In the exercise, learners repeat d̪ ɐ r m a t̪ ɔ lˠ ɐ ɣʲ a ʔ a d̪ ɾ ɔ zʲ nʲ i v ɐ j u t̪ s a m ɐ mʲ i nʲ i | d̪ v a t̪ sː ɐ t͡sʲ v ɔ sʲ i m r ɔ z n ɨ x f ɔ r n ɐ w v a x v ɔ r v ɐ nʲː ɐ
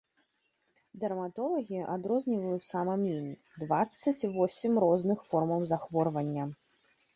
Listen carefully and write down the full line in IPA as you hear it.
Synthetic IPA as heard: d̪ ɐ r m a t̪ ɔ lˠ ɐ ɣʲ i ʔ a d̪ ɾ ɔ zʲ nʲ i v ɐ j u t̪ s a m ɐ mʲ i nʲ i | d̪ v a t̪ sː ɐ t͡sʲ v ɔ sʲ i m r ɔ z n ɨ x f ɔ r m ɐ w z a x v ɔ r v ɐ nʲː ɐ